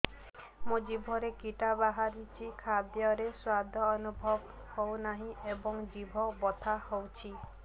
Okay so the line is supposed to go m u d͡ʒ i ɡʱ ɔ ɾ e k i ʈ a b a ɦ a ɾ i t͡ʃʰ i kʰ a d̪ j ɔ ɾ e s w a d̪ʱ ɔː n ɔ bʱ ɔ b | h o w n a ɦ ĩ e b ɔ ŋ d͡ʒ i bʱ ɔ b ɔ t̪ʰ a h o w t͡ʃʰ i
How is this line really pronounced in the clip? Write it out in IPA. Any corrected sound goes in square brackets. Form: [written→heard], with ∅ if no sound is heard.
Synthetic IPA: m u d͡ʒ i [ɡʱ→bʱ] ɔ ɾ e k i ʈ a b a ɦ a ɾ i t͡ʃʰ i kʰ a d̪ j ɔ ɾ e s w a d̪ʱ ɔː n [ɔ→u] bʱ ɔ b | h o w n a ɦ ĩ e b ɔ ŋ d͡ʒ i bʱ ɔ b ɔ t̪ʰ a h o w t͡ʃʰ i